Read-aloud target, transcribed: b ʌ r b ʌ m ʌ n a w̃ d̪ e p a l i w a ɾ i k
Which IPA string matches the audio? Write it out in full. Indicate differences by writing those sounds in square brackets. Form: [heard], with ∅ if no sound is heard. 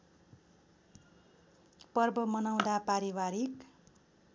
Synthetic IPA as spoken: [p] ʌ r b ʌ m ʌ n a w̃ d̪ [a] p a [ɾ] i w a ɾ i k